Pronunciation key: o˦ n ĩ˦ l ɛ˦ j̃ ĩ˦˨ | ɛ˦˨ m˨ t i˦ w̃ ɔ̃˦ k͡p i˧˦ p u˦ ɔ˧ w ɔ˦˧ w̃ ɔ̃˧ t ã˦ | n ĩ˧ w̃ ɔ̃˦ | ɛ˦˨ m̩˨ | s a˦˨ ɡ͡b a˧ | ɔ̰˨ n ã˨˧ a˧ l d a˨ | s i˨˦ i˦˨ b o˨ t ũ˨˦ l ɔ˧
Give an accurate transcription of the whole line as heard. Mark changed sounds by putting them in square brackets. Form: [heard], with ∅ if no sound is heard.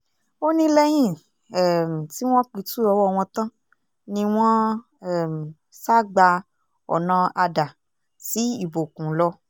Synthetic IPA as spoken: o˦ n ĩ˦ l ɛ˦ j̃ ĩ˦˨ | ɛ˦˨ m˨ t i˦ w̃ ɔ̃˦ k͡p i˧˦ [t] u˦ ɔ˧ w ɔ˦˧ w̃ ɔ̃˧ t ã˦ | n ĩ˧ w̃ ɔ̃˦ | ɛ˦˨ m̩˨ | s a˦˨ ɡ͡b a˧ | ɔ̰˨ n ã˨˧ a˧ [∅] d a˨ | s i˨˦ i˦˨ b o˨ [k] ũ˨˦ l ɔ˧